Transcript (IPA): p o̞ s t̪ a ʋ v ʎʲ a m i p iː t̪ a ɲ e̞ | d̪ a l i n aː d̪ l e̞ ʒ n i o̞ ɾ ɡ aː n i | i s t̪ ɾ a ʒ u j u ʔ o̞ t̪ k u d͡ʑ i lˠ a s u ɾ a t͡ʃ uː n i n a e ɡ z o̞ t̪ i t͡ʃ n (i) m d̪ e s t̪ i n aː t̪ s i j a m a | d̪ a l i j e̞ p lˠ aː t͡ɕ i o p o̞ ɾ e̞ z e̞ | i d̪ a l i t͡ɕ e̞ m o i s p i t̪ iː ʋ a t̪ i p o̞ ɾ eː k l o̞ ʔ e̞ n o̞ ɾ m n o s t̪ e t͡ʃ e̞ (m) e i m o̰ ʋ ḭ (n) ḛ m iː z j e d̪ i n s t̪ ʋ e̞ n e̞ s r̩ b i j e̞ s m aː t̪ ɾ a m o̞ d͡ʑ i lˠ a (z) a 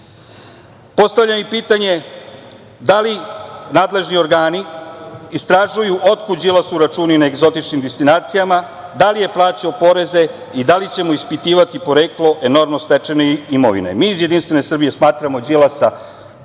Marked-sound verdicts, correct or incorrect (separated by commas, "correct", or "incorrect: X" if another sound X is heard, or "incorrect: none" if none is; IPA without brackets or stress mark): correct, incorrect: n, correct, incorrect: s